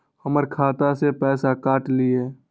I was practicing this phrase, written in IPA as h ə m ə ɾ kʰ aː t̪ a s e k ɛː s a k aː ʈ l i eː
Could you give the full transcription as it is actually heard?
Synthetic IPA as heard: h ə m ə ɾ kʰ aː t̪ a s e p ɛː s a k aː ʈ l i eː